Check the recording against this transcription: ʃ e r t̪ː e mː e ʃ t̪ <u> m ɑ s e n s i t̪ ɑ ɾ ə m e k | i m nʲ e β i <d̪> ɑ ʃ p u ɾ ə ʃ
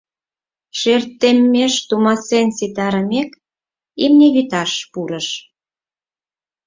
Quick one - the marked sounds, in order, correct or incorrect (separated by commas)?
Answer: correct, incorrect